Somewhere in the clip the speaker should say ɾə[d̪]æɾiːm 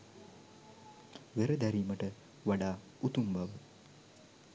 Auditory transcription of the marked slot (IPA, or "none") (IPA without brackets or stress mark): d̪